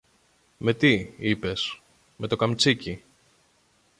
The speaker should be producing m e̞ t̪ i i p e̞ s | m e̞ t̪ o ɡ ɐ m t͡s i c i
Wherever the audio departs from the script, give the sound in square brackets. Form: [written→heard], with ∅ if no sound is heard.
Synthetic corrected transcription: m e̞ t̪ i i p e̞ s | m e̞ t̪ o [ɡ→k] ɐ m t͡s i c i